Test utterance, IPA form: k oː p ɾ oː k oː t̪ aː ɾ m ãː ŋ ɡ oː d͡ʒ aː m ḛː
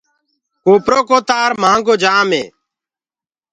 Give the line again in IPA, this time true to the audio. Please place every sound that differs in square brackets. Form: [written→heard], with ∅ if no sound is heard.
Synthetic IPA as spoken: k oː p ɾ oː k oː t̪ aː ɾ m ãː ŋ ɡ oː d͡ʒ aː m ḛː

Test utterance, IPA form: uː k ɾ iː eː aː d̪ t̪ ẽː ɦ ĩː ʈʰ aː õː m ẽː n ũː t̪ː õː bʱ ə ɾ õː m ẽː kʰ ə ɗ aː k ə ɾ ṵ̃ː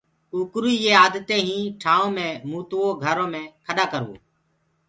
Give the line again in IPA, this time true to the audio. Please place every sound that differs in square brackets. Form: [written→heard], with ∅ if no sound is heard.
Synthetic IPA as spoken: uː k ɾ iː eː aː d̪ t̪ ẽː ɦ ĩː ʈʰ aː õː m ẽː [n→m] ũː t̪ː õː [bʱ→ɡʱ] ə ɾ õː m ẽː kʰ ə ɗ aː k ə ɾ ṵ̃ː

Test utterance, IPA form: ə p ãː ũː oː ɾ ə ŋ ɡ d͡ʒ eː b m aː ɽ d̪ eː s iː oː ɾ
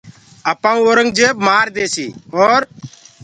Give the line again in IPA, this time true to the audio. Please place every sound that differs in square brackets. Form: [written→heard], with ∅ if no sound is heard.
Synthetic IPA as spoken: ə p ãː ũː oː ɾ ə ŋ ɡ d͡ʒ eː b m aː [ɽ→ɾ] d̪ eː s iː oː ɾ

